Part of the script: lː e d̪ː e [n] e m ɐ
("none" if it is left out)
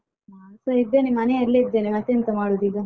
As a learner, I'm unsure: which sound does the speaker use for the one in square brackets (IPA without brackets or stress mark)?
n